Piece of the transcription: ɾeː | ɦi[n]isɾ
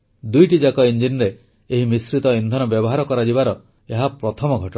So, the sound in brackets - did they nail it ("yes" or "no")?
no